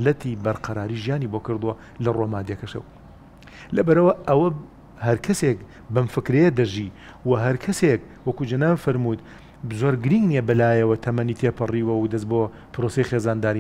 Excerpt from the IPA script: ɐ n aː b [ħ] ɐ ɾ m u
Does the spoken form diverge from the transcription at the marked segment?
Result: yes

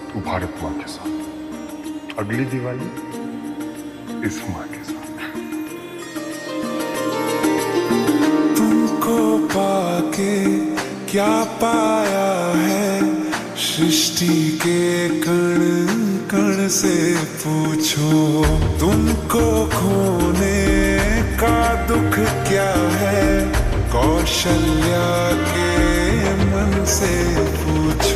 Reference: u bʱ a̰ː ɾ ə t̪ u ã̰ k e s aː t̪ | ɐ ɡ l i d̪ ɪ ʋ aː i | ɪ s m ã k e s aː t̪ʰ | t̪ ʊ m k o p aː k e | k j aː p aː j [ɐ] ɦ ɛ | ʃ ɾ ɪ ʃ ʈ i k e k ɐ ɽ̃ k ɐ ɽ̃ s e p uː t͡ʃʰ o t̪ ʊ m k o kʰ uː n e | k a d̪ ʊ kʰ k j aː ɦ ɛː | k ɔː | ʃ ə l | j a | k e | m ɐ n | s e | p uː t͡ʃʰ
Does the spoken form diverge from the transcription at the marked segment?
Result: yes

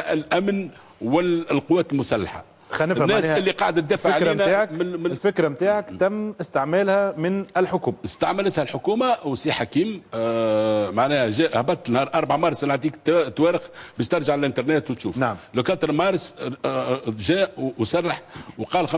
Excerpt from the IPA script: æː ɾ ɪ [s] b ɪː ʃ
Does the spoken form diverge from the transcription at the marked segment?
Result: yes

